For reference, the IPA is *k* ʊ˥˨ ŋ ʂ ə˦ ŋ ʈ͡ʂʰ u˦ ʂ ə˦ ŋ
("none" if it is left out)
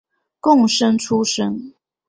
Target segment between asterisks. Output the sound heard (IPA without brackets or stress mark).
k